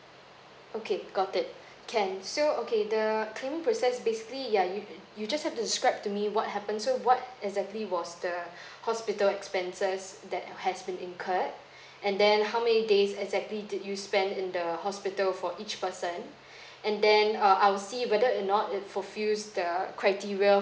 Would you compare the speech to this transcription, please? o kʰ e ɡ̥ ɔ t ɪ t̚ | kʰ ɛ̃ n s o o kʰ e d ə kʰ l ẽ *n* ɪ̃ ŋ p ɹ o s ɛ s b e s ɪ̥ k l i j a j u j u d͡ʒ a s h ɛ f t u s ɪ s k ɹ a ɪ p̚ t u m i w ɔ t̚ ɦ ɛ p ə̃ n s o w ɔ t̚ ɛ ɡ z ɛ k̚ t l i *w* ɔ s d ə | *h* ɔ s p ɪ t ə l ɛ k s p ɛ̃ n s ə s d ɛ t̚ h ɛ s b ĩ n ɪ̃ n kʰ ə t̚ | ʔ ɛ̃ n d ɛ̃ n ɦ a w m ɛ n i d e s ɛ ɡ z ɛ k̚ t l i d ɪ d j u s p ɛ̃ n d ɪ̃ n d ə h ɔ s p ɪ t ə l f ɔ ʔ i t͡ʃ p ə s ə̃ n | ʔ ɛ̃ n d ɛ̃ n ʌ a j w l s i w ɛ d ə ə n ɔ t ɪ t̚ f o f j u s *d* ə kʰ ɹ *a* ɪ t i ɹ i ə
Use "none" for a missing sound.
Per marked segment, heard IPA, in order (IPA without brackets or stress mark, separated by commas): m, w, h, d, a